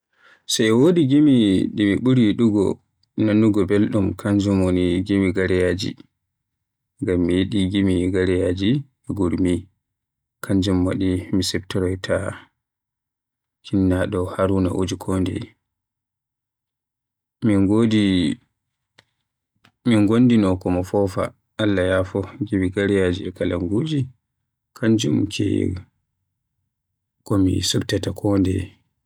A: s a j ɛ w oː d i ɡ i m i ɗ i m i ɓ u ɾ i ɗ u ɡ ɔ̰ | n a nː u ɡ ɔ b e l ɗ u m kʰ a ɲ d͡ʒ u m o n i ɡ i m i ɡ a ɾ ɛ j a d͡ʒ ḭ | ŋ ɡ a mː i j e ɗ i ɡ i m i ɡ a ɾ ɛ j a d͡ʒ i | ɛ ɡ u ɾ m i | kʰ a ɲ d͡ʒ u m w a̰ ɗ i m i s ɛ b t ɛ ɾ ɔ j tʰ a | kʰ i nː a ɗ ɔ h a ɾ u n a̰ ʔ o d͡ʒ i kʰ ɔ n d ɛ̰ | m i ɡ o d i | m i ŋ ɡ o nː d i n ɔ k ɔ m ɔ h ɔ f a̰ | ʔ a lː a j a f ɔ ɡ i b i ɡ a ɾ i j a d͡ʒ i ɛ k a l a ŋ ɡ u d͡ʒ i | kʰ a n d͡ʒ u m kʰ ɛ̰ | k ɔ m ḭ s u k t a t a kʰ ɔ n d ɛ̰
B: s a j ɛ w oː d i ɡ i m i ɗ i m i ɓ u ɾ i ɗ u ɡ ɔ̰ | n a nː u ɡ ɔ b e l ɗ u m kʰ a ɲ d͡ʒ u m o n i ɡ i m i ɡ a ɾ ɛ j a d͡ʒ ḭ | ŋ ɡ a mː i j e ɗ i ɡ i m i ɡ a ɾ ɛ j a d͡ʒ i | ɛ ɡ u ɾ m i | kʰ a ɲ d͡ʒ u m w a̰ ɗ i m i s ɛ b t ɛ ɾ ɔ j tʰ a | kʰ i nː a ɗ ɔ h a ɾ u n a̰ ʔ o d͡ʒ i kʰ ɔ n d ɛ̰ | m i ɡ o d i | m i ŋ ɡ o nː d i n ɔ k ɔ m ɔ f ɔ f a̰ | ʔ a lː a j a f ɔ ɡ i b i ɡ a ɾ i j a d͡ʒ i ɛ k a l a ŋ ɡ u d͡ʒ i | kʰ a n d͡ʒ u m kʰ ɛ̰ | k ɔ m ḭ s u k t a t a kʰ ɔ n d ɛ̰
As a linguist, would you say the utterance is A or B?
B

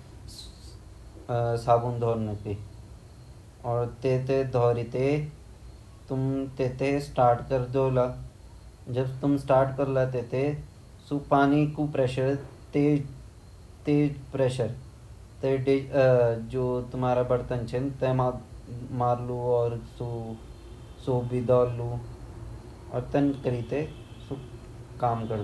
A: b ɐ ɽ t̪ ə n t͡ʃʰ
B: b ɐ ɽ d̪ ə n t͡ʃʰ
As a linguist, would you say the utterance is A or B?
A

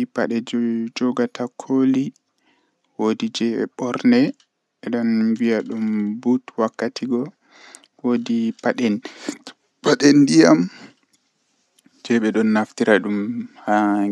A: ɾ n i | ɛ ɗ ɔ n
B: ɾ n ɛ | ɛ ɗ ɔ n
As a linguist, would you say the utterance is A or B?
B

